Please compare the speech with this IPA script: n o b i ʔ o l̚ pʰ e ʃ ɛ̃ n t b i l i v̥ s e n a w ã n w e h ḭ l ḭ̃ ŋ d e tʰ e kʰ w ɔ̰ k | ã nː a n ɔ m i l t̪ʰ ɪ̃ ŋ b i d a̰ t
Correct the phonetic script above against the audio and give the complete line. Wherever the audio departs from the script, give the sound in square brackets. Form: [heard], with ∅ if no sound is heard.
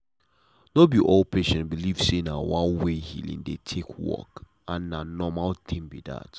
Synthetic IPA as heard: n o b i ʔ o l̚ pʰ e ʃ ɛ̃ n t b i l i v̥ s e n a w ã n w e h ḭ l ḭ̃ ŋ d e tʰ e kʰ w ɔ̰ k | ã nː a n ɔ m [a] l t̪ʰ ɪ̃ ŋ b i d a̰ t